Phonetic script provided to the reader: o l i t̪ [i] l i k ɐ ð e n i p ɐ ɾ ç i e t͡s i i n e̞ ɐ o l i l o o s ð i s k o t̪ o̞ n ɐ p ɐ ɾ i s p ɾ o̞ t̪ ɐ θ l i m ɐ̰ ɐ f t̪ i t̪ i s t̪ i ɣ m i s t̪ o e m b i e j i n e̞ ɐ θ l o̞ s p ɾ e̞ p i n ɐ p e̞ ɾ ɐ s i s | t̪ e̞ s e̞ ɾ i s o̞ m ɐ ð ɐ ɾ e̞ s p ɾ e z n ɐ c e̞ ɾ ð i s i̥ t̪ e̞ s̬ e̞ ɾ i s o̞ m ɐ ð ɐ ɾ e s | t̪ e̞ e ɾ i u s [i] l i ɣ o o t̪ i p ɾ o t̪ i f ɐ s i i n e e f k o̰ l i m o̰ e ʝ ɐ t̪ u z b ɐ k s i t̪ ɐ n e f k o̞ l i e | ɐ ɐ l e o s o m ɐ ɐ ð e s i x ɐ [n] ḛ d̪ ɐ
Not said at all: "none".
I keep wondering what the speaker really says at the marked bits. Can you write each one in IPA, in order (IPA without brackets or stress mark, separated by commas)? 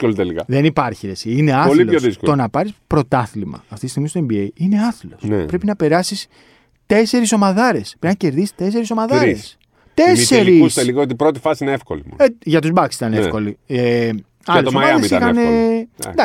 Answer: e, e, n